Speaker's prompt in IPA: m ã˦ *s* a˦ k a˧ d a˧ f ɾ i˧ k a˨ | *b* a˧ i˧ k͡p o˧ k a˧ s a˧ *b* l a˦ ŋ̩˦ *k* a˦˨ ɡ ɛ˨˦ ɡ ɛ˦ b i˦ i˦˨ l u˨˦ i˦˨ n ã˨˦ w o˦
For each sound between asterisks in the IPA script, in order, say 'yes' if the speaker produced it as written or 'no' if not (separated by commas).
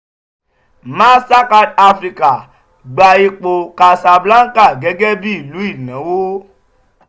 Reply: yes, no, yes, yes